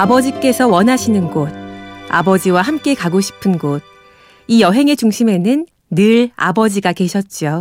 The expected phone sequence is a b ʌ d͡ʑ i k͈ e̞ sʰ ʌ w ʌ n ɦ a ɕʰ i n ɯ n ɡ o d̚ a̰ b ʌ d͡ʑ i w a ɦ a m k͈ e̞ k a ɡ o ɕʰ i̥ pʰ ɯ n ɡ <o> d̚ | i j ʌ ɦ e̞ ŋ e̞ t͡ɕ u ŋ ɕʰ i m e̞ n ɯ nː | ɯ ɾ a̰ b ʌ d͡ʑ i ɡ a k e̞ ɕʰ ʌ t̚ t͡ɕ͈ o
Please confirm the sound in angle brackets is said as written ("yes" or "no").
yes